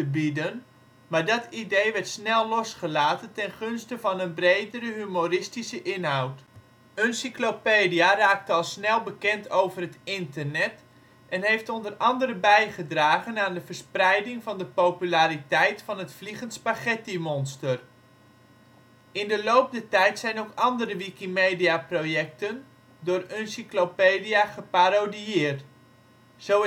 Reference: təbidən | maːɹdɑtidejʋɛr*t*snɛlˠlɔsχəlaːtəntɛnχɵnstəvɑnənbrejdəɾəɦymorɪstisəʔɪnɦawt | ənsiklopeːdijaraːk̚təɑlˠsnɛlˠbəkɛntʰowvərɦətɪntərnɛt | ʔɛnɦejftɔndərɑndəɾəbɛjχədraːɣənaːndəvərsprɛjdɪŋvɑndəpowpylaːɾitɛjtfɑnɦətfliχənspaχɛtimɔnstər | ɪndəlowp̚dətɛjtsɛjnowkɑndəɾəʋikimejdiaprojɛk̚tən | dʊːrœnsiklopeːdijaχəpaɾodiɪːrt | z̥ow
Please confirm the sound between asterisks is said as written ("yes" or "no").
yes